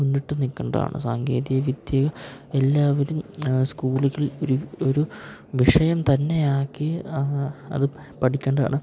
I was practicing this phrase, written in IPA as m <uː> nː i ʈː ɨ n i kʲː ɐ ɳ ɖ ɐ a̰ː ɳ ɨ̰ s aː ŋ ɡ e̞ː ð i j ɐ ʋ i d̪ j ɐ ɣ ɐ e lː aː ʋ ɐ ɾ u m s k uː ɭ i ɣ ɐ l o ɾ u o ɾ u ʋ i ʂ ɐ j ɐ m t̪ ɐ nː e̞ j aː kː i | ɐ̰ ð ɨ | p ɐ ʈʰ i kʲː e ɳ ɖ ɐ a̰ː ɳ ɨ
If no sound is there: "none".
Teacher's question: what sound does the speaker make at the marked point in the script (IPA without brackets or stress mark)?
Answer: u